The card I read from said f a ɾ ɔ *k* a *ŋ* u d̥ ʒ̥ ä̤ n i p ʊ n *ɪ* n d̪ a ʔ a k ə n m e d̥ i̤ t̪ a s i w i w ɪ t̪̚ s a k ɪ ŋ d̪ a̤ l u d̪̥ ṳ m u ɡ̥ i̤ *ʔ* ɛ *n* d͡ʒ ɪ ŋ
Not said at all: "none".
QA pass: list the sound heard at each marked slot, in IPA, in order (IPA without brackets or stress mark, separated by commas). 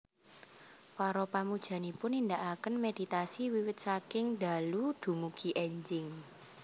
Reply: p, m, i, ʔ, ɲ